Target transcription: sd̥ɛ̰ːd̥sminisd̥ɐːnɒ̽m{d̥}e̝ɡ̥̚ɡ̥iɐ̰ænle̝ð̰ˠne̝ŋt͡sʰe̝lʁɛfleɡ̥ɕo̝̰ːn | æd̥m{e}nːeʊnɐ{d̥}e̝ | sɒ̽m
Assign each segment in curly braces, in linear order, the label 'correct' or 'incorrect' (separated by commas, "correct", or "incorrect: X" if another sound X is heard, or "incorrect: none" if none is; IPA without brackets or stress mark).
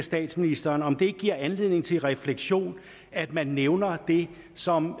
correct, incorrect: æ, correct